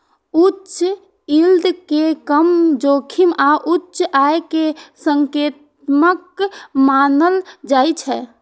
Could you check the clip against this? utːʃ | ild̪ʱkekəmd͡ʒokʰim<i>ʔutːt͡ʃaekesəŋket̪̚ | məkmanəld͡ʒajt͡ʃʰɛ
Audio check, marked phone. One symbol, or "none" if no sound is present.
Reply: a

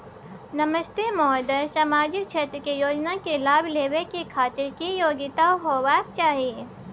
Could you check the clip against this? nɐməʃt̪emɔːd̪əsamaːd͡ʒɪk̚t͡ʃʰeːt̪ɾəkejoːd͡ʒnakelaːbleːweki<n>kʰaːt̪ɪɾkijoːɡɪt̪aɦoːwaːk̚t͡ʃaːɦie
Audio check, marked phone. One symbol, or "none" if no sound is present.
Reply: none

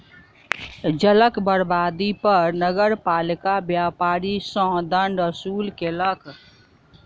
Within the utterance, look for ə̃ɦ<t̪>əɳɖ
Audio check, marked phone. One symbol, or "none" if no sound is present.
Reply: d̪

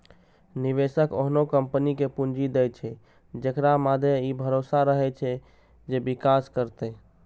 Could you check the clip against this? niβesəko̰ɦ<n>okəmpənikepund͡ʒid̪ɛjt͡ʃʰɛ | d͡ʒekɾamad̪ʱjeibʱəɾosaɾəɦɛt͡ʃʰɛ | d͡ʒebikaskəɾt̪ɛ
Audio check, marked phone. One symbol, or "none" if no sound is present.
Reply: n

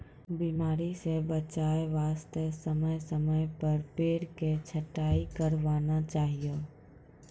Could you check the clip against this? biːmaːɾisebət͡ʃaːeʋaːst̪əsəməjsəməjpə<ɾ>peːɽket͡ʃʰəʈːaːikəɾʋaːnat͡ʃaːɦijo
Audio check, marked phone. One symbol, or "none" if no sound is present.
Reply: ɾ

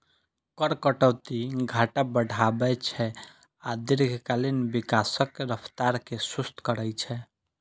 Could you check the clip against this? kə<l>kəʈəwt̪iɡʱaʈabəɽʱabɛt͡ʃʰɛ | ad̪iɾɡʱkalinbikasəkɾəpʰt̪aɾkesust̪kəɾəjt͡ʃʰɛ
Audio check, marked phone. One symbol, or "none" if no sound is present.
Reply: ɾ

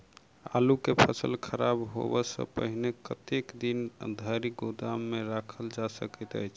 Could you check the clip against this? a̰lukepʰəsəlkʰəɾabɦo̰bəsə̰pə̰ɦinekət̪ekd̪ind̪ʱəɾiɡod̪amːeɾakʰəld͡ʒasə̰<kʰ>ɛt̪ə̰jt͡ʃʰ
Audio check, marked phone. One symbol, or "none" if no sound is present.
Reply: k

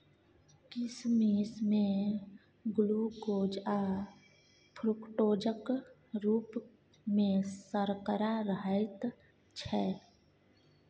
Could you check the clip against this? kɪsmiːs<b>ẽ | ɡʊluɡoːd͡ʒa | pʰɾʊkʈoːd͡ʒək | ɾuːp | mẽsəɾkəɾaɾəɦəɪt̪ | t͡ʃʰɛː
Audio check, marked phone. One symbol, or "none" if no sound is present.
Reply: m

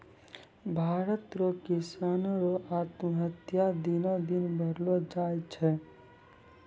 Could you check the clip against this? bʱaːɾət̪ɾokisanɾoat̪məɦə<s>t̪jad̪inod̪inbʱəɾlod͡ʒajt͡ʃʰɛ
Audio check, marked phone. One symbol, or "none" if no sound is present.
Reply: none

